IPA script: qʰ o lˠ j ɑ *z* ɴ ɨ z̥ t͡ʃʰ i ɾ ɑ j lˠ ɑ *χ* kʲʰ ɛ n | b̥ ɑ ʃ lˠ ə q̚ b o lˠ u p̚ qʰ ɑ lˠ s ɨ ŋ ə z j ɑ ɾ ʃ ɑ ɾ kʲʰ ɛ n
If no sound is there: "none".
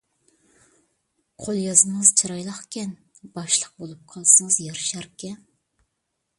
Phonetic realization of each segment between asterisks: z, χ

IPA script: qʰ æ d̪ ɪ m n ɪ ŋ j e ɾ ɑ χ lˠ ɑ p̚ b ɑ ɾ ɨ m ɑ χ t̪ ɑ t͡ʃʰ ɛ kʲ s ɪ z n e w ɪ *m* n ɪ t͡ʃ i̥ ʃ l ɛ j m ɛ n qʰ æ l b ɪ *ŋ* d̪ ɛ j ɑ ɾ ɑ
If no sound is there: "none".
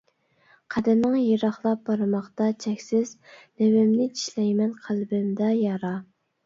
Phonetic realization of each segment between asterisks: m, m

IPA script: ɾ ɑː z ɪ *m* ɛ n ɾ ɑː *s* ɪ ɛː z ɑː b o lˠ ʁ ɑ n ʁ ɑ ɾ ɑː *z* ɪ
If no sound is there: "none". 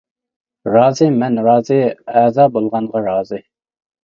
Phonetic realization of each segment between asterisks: m, z, z

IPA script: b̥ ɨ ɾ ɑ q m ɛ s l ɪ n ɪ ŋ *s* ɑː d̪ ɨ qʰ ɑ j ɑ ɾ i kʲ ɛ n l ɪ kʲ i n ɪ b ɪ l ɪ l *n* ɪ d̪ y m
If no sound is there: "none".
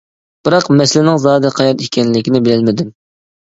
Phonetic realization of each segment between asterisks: z, m

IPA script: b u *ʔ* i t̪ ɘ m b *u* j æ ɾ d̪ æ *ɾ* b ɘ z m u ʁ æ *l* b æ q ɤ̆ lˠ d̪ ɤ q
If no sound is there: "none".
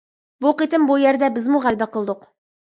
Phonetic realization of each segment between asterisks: q, u, none, l

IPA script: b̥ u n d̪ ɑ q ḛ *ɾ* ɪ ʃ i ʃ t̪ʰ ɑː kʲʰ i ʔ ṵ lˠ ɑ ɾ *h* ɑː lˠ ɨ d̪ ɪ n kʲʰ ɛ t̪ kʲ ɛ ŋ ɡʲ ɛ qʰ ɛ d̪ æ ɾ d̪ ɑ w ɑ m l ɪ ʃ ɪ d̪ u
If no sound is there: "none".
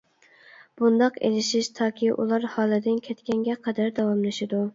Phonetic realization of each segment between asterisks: l, h

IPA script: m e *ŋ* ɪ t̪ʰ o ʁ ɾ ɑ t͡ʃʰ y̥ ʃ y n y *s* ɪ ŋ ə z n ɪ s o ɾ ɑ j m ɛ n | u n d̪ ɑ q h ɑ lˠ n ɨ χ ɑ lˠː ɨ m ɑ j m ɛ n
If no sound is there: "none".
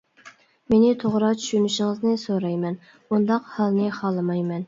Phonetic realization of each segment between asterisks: n, ʃ

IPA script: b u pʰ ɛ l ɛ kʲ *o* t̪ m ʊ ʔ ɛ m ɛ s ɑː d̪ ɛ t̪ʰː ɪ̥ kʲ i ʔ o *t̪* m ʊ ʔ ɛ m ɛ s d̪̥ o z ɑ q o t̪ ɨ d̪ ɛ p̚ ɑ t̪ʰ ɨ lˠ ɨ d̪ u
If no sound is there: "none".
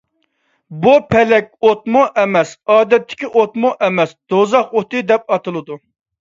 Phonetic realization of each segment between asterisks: o, t̪

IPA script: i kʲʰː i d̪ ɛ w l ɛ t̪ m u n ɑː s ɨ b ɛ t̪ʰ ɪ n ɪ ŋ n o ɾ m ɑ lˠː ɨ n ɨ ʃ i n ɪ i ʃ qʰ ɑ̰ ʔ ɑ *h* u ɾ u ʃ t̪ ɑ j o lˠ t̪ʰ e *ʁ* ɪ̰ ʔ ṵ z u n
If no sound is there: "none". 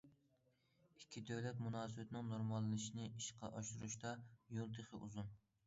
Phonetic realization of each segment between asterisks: ʃ, χ

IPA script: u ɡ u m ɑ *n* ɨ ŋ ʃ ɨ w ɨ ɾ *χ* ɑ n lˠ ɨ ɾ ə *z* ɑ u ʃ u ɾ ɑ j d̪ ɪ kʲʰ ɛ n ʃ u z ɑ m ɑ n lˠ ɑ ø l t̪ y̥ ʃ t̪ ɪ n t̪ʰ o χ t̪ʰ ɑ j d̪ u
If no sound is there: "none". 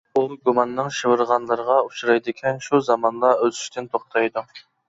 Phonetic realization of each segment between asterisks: nː, ʁ, ʁ

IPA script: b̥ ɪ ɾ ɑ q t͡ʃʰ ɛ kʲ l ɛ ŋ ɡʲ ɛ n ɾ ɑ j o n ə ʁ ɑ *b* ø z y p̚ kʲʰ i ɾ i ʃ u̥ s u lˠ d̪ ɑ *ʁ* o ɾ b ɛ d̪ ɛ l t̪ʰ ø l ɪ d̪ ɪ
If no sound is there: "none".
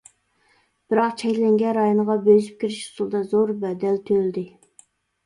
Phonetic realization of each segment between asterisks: b, z

